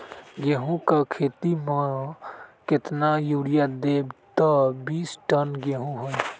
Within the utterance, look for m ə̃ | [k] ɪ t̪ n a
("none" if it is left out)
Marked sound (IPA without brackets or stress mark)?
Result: k